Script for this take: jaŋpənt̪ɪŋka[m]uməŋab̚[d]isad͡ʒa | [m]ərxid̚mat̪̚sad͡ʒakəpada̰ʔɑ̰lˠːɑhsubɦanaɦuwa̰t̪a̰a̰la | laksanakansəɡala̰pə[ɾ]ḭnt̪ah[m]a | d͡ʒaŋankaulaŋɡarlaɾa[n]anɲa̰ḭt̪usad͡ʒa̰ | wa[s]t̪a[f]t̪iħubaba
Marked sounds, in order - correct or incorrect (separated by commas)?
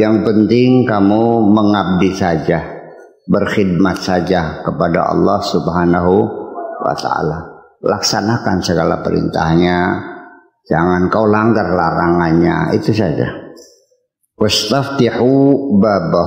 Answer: correct, correct, incorrect, correct, incorrect, incorrect, correct, correct